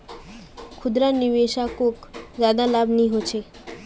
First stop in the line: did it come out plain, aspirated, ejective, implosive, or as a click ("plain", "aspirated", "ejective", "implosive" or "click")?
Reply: aspirated